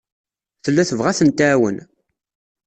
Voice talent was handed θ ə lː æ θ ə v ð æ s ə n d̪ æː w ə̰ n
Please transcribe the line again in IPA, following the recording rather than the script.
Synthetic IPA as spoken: θ ə lː æ θ ə v ʁ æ θ ə n t̪ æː w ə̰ n